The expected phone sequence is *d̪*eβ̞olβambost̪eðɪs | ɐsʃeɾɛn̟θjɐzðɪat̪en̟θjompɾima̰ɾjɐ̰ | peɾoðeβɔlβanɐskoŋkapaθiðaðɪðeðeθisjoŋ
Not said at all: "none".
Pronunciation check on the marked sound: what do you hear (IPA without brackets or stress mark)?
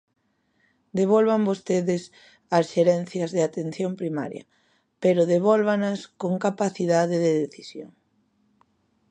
d̪